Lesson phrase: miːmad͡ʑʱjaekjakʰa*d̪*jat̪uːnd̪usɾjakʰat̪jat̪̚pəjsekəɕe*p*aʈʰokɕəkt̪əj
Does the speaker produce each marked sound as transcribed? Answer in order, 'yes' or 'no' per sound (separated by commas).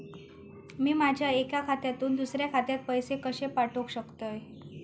no, yes